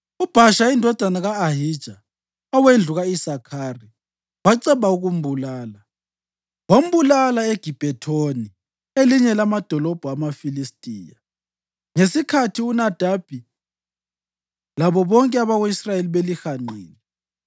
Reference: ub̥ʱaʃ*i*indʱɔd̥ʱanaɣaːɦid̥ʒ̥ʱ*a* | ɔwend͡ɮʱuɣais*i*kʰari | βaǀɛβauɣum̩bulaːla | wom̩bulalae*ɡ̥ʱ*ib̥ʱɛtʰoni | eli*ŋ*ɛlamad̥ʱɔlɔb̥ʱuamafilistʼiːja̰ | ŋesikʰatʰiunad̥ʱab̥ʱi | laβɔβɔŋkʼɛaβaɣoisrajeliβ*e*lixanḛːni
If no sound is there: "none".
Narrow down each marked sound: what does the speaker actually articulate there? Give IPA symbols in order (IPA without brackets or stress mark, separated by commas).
a, a, a, ɡ̥ʱ, ɲ, e